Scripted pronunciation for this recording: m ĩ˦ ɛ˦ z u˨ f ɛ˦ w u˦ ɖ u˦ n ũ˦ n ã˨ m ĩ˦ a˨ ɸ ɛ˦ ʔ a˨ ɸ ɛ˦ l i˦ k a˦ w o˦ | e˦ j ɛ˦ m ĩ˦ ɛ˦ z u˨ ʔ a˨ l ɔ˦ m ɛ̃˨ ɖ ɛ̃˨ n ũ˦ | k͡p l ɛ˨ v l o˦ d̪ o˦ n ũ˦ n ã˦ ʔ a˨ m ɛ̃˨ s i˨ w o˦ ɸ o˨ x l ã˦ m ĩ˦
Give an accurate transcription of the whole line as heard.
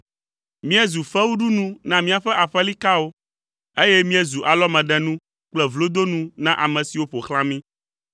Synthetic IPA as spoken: m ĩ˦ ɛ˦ z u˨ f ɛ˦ w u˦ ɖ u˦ n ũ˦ n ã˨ m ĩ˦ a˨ ɸ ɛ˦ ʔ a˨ ɸ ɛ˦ l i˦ k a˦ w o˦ | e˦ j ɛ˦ m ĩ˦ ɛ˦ z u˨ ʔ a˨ l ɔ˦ m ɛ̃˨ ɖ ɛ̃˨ n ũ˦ | k͡p l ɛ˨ v l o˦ d̪ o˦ n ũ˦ n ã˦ ʔ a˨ m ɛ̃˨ s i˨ w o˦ ɸ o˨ x l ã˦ m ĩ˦